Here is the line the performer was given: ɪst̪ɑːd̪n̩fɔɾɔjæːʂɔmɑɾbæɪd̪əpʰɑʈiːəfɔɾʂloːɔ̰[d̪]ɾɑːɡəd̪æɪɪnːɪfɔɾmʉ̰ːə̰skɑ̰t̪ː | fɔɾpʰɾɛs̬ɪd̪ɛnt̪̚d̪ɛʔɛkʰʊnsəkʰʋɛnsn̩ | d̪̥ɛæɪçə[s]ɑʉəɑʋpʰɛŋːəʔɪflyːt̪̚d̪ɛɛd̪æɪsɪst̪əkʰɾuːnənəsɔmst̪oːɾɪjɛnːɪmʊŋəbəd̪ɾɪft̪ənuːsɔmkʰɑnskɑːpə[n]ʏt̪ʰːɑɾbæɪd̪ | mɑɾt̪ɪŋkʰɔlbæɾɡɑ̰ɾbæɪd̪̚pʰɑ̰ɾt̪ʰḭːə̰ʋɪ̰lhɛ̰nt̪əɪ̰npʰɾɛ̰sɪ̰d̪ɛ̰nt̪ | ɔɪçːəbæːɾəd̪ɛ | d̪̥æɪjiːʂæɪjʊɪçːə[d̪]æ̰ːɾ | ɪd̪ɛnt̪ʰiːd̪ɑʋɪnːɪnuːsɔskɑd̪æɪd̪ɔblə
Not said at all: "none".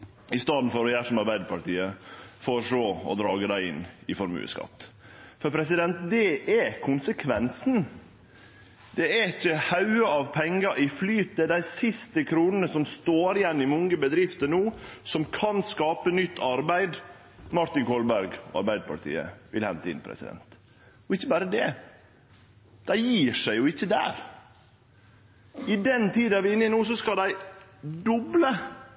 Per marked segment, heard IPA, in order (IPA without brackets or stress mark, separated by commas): d̪, h, n, d̪